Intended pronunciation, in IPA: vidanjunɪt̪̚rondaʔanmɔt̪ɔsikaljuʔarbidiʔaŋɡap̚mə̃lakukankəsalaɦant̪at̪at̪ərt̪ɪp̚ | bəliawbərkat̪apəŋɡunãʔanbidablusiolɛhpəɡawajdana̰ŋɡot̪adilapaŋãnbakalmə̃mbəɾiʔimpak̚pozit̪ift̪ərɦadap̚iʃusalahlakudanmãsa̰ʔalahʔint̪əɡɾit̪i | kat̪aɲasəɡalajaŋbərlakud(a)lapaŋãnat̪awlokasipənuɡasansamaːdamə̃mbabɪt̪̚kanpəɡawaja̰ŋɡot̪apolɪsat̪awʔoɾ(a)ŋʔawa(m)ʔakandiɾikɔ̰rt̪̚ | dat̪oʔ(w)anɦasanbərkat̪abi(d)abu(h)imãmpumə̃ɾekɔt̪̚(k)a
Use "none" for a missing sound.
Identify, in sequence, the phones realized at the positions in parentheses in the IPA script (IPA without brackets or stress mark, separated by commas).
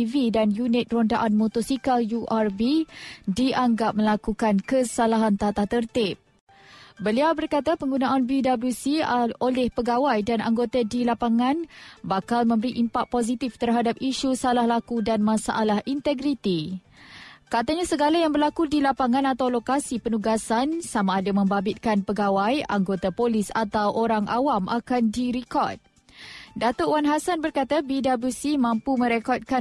i, a, m, w, d, s, k